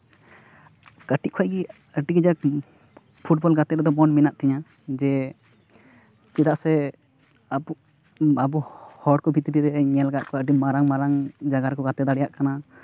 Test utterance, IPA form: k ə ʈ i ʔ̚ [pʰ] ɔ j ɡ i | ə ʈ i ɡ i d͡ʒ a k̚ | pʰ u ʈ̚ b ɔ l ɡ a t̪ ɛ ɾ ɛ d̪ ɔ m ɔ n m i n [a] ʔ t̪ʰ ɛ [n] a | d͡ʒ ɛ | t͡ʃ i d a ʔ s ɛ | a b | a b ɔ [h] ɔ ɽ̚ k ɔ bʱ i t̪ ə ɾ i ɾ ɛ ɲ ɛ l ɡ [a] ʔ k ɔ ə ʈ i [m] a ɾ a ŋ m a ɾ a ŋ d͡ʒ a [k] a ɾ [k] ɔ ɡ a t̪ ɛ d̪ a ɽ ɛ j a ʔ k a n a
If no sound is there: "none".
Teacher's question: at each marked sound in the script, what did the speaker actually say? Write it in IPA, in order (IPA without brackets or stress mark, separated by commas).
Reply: kʰ, a, ɲ, h, a, m, ɡ, k